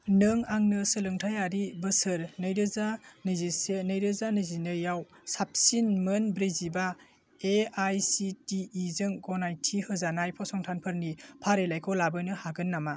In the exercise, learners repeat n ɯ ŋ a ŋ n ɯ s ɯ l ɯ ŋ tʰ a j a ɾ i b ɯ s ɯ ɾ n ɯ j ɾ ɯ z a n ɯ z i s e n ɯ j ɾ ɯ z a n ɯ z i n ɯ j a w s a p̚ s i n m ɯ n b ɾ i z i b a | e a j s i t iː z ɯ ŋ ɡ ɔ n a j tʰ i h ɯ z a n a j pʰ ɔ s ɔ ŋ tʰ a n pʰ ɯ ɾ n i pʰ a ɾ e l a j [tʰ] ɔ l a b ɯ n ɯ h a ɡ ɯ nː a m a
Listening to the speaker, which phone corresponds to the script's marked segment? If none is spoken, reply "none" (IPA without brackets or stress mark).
kʰ